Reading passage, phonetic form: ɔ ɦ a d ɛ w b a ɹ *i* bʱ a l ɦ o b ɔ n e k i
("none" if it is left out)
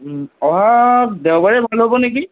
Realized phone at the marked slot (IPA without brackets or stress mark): ɛ